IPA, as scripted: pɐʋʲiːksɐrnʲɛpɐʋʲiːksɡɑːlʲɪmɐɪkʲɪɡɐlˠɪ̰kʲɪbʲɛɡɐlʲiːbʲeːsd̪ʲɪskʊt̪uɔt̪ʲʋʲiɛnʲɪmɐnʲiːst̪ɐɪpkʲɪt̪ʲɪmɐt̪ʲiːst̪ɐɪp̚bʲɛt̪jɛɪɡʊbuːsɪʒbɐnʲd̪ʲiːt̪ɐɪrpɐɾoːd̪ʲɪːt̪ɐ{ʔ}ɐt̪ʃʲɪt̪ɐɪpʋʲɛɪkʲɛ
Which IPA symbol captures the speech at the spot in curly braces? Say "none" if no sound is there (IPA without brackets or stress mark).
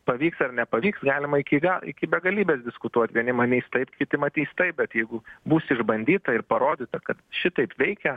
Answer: k